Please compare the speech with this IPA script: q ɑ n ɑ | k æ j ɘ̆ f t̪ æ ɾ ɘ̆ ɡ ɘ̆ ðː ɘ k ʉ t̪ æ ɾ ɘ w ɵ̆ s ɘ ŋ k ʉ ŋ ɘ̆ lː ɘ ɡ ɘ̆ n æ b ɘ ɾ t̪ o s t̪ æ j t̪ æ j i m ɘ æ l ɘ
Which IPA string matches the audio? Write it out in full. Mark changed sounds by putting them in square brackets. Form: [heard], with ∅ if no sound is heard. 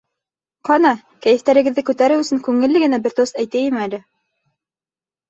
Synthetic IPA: q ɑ n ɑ | k æ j ɘ̆ f t̪ æ ɾ ɘ̆ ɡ ɘ̆ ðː ɘ k ʉ t̪ æ ɾ ɘ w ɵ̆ s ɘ ŋ k ʉ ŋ ɘ̆ lː ɘ ɡ ɘ̆ n æ b ɘ ɾ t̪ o s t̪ æ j t̪ æ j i m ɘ æ l ɘ